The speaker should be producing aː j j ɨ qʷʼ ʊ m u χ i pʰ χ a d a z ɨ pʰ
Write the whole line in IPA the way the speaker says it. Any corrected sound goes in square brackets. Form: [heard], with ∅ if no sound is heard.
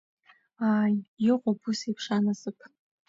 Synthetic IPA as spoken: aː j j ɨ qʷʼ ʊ [b] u [s] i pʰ [ʂ] a [n] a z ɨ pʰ